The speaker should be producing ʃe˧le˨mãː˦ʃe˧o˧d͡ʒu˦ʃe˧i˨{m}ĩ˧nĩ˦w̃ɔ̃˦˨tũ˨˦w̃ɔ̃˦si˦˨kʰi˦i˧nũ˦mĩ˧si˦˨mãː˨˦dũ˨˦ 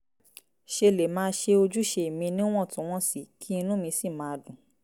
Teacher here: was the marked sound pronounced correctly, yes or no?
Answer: yes